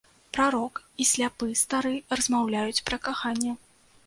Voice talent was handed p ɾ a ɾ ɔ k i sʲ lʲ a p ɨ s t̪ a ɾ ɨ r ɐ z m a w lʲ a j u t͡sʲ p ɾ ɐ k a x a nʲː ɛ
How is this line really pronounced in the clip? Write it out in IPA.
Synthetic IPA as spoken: p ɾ a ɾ ɔ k i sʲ lʲ a p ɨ s t̪ a ɾ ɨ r ɐ z m a w lʲ a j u t͡sʲ p ɾ ɐ k a x a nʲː ɛ